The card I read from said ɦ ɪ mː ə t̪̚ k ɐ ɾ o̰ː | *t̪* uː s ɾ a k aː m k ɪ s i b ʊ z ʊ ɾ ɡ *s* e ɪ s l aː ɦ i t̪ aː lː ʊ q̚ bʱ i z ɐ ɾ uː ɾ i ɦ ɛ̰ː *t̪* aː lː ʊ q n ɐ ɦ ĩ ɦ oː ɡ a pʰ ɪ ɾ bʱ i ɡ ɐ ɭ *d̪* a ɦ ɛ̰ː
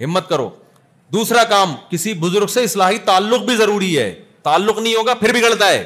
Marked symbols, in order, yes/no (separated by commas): no, yes, yes, no